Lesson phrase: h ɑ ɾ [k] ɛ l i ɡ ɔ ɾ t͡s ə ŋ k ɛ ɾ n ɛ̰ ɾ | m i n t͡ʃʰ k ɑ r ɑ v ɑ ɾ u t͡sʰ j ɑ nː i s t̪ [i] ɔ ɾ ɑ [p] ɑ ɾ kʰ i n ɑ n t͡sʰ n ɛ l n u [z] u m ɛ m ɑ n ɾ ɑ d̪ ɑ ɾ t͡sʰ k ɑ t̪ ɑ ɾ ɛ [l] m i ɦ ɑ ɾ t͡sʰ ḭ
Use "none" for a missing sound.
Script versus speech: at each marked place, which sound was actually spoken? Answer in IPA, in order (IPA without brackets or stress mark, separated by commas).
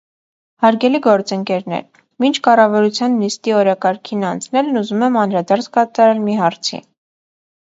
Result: ɡ, i, k, z, l